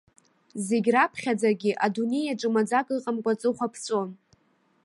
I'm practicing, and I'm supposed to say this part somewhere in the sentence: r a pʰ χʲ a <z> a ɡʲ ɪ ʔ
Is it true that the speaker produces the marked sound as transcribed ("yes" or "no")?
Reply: no